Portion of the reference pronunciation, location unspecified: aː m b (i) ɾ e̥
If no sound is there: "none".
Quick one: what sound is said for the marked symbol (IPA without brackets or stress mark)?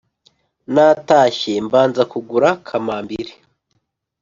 i